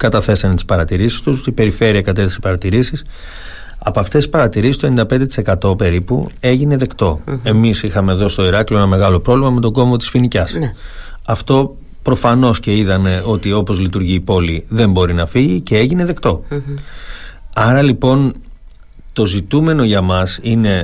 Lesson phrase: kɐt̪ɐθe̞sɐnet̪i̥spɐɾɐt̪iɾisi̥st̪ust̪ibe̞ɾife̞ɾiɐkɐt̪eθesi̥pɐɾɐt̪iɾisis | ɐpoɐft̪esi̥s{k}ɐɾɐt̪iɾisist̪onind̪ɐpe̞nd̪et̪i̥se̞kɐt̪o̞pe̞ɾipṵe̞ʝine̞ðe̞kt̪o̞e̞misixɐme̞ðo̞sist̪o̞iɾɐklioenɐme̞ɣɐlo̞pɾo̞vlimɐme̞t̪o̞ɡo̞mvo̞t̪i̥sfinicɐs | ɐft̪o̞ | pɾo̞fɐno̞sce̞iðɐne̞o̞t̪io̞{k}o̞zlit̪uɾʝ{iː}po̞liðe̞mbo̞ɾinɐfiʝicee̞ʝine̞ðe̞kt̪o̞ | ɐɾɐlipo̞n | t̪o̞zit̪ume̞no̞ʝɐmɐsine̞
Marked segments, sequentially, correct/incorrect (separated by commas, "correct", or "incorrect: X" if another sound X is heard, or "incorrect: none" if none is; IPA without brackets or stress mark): incorrect: p, incorrect: p, correct